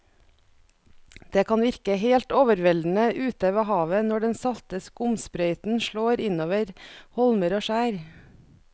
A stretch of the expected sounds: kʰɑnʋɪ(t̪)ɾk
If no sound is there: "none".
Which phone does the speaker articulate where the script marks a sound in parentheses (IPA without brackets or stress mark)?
none